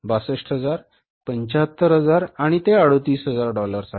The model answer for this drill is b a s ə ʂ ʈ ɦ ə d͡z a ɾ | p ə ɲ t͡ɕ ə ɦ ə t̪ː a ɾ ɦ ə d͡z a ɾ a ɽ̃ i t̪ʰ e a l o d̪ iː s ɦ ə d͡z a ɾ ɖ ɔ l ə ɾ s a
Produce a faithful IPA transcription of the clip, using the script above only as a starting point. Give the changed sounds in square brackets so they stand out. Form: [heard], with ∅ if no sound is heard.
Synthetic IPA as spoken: b a s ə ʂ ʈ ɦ ə d͡z a ɾ | p ə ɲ t͡ɕ [a] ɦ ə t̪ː [ə] ɾ ɦ ə d͡z a ɾ a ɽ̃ i [t̪] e a [ɽ] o [t̪] iː s ɦ ə d͡z a ɾ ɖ ɔ l ə ɾ s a